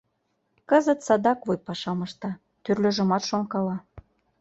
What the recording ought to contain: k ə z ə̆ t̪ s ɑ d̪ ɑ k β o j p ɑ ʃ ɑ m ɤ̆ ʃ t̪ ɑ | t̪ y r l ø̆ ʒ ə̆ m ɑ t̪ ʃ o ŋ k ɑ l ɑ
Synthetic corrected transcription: k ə z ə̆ t̪ s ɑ d̪ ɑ k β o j p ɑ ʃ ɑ m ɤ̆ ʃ t̪ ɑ | t̪ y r l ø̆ ʒ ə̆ m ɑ t̪ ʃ o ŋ k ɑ l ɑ